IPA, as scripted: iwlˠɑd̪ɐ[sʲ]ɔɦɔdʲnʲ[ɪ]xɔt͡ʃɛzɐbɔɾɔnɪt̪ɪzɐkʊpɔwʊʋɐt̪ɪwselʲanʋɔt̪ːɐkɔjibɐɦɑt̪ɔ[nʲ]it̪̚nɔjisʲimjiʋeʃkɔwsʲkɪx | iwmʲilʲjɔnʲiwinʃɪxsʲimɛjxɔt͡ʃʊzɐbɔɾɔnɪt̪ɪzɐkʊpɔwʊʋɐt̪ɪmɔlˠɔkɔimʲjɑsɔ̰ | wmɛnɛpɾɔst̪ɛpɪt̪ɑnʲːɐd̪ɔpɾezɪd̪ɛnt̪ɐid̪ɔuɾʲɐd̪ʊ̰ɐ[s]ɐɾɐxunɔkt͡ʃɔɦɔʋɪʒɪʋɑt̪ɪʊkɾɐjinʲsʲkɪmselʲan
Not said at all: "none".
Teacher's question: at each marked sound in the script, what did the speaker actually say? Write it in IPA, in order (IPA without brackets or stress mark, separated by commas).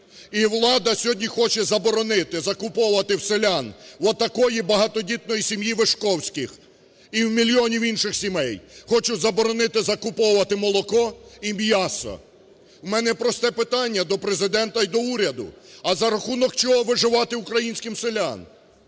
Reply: sʲ, i, dʲ, z